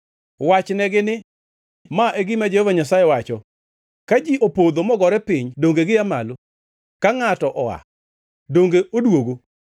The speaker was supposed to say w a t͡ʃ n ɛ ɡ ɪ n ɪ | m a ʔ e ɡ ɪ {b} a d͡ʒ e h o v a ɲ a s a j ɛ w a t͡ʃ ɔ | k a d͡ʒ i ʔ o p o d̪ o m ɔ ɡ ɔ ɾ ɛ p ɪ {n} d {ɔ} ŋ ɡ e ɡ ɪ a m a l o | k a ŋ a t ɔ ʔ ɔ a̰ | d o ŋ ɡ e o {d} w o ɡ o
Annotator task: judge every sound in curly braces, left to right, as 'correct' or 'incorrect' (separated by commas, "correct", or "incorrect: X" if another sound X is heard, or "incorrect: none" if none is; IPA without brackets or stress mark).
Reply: incorrect: m, incorrect: ɲ, incorrect: o, correct